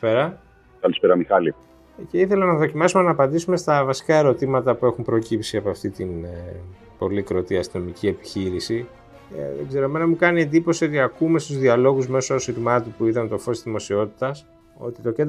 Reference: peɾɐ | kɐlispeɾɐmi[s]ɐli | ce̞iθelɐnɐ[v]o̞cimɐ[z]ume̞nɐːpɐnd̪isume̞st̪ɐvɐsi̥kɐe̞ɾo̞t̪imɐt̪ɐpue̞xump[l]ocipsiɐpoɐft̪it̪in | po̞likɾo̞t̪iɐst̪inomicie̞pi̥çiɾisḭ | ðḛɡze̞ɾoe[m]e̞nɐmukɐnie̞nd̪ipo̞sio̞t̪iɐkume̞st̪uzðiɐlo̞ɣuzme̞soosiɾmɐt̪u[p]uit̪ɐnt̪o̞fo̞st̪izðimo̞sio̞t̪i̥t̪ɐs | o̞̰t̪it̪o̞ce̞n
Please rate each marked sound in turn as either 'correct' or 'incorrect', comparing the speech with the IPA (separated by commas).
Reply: incorrect, incorrect, incorrect, incorrect, correct, correct